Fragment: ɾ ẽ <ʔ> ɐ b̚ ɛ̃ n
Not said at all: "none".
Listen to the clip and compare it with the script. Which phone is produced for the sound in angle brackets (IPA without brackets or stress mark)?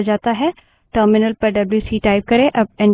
ʔ